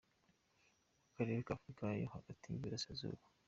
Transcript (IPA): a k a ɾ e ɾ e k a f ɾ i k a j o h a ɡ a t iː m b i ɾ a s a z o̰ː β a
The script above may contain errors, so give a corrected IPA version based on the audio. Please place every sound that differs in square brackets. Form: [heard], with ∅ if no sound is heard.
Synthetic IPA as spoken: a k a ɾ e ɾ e k a f ɾ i k a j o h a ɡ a t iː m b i ɾ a s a z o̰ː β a